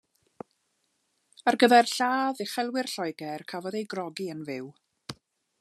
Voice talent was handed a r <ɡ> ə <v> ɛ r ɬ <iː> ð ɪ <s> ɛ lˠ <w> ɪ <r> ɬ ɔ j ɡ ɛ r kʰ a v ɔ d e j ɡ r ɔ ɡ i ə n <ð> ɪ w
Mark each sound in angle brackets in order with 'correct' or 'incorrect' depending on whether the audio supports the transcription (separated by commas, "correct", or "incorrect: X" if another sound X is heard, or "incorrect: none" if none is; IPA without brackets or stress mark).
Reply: correct, incorrect: ð, incorrect: aː, incorrect: χ, correct, correct, incorrect: v